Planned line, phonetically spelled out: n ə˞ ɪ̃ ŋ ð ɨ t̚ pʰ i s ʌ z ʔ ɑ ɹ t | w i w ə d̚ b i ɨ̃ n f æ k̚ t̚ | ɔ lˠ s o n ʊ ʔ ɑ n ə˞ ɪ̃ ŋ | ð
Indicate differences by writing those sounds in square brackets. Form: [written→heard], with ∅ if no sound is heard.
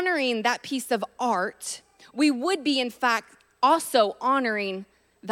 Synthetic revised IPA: n ə˞ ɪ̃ ŋ ð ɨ t̚ pʰ i s ʌ [z→v] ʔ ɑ ɹ t | w i w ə d̚ b i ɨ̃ n f æ k̚ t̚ | ɔ lˠ s o [n→∅] ʊ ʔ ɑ n ə˞ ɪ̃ ŋ | ð